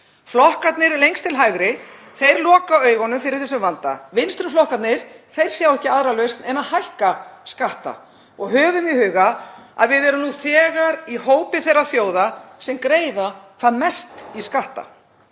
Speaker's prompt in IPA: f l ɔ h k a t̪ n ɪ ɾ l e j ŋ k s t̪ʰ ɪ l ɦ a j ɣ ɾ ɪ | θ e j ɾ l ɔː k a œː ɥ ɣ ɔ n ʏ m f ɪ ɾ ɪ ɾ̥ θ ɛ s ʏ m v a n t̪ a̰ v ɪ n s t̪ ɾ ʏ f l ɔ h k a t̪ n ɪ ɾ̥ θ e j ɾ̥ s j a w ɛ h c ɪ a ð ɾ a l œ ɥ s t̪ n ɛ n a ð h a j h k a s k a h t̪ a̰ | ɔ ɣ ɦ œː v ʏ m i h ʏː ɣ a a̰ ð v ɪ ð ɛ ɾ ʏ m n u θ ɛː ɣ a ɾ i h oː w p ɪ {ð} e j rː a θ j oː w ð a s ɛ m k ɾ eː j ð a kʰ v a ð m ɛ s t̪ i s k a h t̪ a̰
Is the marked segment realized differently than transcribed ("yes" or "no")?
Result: yes